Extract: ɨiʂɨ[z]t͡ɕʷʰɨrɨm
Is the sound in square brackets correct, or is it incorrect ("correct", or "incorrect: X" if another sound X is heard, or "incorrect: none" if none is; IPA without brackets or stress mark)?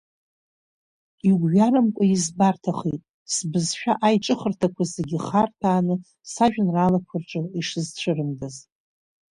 correct